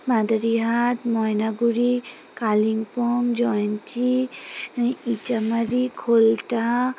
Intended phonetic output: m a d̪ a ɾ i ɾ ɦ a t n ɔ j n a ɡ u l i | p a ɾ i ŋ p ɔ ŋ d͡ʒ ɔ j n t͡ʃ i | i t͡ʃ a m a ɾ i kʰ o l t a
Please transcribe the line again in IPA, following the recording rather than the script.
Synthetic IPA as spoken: m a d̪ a ɾ i ɦ a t m ɔ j n a ɡ u ɾ i | k a l i ŋ p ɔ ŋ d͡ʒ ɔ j n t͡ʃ i | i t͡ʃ a m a ɾ i kʰ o l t a